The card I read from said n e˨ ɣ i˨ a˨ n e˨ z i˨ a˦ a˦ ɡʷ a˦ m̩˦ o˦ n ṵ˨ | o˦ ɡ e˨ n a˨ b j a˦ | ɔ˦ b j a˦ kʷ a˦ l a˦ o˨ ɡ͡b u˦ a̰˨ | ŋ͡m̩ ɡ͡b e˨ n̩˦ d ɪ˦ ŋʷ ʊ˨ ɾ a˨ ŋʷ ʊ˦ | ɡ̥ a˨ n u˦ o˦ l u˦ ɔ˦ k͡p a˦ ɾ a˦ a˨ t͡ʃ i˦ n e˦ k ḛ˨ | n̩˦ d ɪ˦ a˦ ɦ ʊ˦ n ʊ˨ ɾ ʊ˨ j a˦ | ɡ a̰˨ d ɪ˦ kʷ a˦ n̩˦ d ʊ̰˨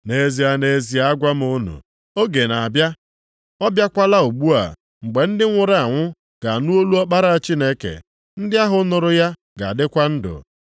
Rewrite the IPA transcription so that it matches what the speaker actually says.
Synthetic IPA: n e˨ z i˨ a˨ n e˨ z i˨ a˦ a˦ ɡʷ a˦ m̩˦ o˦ n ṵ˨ | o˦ ɡ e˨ n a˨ b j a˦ | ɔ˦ b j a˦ kʷ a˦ l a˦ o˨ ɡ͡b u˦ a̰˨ | ŋ͡m̩ ɡ͡b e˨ n̩˦ d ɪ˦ ŋʷ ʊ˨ ɾ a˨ ŋʷ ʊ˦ | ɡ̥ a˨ n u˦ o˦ l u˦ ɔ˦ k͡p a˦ ɾ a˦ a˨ t͡ʃ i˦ n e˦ k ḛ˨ | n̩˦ d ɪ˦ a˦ ɦ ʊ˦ n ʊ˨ ɾ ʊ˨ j a˦ | ɡ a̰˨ d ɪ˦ kʷ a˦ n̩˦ d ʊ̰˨